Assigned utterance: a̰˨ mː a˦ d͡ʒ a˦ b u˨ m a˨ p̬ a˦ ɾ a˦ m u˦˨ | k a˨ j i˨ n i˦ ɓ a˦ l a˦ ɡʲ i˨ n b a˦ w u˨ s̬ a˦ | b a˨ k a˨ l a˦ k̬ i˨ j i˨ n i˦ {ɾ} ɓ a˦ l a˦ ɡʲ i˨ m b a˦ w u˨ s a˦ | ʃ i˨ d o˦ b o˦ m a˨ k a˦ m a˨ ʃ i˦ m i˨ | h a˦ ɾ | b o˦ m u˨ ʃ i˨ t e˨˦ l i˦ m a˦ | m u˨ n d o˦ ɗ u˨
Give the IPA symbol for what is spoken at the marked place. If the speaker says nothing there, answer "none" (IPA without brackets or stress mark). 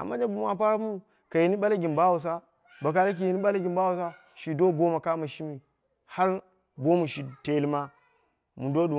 none